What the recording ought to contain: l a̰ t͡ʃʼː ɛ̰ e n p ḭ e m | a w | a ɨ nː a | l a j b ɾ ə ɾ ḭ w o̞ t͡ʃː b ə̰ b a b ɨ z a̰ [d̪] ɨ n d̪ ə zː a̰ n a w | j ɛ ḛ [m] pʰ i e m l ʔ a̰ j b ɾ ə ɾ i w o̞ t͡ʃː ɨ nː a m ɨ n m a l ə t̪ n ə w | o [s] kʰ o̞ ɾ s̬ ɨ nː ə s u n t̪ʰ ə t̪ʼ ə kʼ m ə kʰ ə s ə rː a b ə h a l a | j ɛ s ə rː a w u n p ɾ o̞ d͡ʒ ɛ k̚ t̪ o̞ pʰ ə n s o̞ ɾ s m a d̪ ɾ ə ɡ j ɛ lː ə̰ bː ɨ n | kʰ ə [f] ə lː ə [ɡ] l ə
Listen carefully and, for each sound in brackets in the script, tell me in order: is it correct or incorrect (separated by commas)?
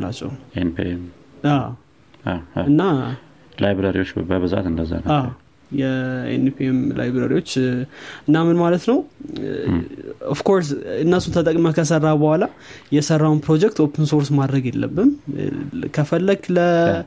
incorrect, incorrect, incorrect, correct, correct